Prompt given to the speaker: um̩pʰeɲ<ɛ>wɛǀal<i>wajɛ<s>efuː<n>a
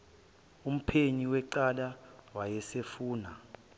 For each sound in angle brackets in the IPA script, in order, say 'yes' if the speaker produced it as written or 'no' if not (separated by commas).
no, no, yes, yes